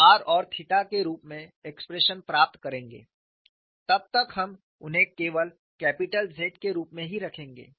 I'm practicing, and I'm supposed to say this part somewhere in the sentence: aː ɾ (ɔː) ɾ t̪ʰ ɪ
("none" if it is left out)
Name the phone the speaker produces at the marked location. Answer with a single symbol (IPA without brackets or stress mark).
ɔː